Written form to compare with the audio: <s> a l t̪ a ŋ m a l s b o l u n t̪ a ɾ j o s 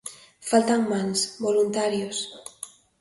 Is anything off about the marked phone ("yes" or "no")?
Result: yes